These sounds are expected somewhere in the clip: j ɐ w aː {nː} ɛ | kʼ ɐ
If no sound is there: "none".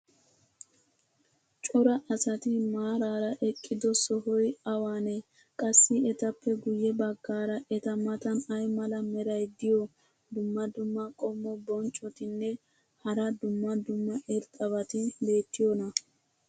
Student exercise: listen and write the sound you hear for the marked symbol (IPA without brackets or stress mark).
n